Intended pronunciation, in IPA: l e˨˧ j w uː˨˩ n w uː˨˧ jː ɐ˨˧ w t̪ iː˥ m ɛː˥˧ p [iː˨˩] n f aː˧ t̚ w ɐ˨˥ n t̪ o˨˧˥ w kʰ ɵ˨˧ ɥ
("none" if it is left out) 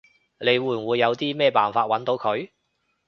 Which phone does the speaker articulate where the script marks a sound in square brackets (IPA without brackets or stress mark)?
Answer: aː˨˩